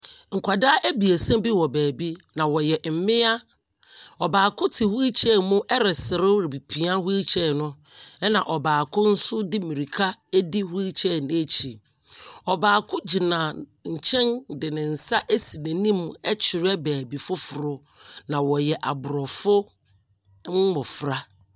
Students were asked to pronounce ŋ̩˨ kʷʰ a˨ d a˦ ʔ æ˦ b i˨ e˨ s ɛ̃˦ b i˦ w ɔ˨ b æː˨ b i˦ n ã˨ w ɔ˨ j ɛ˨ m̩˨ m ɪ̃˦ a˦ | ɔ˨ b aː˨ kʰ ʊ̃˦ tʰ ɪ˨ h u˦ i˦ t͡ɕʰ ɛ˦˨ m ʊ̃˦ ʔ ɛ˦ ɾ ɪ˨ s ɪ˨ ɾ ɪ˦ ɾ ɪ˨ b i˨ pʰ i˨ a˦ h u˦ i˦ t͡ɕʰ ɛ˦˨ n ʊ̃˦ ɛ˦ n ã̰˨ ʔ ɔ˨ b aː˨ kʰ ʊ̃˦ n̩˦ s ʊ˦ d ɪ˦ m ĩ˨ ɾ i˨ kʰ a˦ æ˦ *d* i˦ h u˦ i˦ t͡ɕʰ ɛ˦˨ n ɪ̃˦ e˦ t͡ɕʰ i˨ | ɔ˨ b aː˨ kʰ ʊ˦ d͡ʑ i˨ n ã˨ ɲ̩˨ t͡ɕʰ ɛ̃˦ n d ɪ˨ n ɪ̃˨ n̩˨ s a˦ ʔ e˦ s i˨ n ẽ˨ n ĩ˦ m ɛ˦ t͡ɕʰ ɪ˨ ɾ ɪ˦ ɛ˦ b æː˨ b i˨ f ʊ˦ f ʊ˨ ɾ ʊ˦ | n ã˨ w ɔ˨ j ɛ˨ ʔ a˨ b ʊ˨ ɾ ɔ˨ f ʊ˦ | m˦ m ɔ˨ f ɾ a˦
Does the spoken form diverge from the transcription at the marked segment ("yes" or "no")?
no